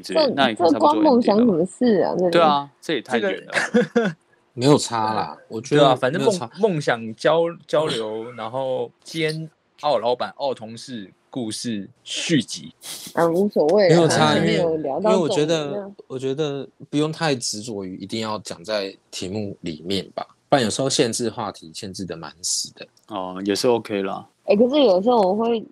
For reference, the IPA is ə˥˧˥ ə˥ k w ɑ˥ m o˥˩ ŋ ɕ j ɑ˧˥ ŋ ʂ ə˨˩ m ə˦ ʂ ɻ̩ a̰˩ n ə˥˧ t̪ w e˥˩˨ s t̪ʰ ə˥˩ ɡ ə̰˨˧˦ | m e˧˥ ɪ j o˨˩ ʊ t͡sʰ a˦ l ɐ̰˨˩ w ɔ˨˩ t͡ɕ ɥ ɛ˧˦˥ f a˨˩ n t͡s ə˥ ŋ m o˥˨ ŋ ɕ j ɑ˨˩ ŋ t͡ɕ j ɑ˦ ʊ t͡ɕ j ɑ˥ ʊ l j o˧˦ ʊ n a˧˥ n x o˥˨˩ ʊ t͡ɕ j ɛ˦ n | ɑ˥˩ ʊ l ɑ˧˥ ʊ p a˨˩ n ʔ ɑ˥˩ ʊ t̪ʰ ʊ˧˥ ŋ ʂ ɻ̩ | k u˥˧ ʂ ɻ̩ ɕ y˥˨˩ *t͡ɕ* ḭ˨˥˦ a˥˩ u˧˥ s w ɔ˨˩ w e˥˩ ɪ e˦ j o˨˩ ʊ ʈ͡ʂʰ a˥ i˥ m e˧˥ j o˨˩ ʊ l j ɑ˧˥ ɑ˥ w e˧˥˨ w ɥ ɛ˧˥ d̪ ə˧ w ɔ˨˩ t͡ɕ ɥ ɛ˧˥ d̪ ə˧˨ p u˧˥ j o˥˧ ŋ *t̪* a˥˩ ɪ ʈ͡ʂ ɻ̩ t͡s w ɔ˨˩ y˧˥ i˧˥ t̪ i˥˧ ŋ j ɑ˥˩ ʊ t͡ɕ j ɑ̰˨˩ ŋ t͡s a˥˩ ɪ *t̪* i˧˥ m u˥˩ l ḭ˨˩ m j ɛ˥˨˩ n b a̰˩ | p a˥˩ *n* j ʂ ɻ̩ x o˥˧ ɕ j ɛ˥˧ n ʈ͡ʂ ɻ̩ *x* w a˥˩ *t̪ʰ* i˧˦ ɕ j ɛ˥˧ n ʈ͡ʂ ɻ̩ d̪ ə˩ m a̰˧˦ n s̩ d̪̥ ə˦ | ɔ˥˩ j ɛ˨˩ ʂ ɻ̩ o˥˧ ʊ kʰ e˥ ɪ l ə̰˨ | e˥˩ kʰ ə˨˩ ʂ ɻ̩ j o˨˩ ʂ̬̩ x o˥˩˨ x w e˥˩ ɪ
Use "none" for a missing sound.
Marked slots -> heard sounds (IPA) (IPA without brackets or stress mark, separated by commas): t͡ɕ, t̪ʰ, t̪ʰ, n, x, t̪ʰ